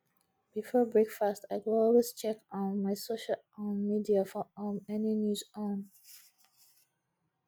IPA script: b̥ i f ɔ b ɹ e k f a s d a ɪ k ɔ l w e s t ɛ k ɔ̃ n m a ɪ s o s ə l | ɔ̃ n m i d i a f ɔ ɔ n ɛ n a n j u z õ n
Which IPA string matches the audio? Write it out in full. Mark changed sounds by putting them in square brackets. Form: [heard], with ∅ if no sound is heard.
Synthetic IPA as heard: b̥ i f ɔ b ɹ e k f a s [t] a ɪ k ɔ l w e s [t͡ʃ] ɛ k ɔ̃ n m a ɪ s o [ʃ] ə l | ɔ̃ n m i d i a f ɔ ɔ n ɛ n [i] n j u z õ n